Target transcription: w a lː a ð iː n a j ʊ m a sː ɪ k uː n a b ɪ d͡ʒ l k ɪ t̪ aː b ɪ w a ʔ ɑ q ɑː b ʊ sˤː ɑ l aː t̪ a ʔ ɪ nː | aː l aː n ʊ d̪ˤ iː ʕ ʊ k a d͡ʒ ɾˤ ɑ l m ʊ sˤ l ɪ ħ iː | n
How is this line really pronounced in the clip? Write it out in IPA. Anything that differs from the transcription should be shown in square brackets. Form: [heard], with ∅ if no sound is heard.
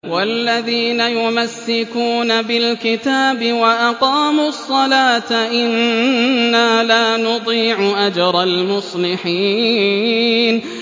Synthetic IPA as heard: w a lː a ð iː n a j ʊ m a sː ɪ k uː n a b ɪ [∅] l k ɪ t̪ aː b ɪ w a ʔ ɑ q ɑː [m] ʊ sˤː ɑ l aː t̪ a ʔ ɪ nː | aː l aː n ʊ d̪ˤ iː ʕ ʊ [ʔ] a d͡ʒ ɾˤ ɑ l m ʊ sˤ l ɪ ħ iː | n